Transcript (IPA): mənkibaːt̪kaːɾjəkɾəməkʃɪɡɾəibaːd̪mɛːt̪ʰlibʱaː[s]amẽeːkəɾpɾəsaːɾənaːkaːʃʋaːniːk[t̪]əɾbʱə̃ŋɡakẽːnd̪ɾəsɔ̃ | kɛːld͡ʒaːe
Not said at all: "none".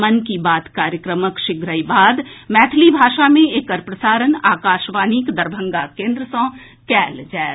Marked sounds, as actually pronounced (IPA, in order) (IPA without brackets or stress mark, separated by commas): ʃ, d̪